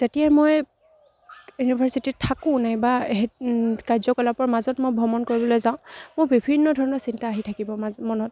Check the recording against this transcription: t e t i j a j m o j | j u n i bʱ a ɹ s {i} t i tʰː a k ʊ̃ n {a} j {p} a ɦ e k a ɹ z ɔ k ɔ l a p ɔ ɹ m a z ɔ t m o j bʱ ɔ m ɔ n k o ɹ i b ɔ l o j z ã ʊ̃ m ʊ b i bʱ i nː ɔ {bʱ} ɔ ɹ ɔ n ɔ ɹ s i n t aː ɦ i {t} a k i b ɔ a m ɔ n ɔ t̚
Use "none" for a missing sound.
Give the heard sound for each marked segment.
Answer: i, a, b, dʱ, tʰ

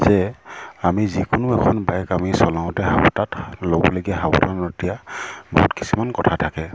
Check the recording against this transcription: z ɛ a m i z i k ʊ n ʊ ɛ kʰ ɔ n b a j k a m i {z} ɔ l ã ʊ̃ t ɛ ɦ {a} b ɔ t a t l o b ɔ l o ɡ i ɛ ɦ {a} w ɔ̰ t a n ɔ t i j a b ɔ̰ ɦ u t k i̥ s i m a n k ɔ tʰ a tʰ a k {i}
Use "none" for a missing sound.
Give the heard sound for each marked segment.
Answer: s, a, a, ɛ

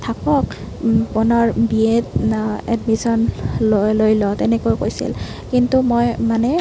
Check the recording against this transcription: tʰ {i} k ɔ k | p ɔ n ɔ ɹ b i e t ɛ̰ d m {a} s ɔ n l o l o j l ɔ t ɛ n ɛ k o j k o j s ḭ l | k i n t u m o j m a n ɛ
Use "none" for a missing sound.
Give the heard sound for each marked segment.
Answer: a, i

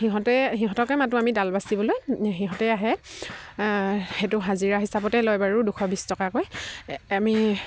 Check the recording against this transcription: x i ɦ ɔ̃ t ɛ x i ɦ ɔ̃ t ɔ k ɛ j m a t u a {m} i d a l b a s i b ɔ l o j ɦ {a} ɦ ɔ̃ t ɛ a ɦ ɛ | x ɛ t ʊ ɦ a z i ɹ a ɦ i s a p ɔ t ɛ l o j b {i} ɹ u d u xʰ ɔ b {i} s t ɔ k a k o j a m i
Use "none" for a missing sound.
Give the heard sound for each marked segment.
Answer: m, i, a, i

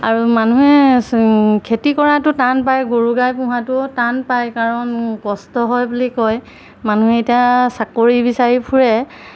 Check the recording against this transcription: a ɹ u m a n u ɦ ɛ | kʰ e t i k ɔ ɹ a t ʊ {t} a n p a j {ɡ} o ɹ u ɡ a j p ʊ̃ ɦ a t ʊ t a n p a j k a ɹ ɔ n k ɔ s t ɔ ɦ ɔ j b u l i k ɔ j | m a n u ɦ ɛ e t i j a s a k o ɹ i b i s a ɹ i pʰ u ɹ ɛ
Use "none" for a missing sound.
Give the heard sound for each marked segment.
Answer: t, ɡ

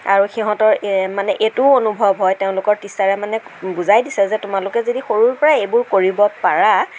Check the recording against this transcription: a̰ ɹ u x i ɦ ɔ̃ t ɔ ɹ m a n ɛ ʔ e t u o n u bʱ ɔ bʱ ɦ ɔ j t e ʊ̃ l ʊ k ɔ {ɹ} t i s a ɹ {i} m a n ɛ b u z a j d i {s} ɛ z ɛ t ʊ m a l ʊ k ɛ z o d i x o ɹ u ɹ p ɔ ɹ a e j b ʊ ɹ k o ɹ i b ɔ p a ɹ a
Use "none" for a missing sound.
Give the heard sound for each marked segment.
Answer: ɹ, ɛ, s

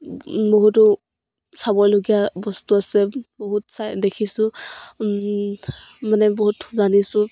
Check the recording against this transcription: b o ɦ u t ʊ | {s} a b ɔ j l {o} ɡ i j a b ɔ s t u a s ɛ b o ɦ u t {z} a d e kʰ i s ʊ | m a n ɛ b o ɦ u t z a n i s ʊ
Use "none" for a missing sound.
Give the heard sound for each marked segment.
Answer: s, o, s

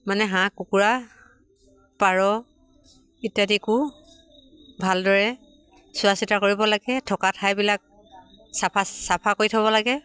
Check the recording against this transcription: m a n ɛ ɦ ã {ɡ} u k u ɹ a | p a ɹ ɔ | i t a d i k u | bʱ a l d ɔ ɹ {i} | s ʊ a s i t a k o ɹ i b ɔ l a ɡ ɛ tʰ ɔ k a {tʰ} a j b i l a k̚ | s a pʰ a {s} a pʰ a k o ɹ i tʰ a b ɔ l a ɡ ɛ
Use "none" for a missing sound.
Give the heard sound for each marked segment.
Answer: k, ɛ, tʰ, s

